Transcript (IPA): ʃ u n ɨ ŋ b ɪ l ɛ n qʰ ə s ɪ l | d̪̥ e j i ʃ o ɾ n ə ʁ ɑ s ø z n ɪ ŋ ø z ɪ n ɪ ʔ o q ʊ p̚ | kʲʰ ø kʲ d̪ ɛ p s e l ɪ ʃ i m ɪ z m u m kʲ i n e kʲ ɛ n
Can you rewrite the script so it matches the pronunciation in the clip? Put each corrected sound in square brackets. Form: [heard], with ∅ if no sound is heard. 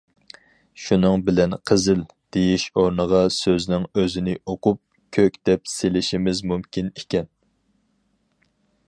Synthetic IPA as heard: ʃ u n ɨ ŋ b ɪ l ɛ n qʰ ə [z] ɪ l | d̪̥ e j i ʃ o ɾ n ə ʁ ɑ s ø z n ɪ ŋ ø z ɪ n ɪ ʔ o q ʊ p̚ | kʲʰ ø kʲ d̪ ɛ p s e l ɪ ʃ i m ɪ z m u m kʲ i n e kʲ ɛ n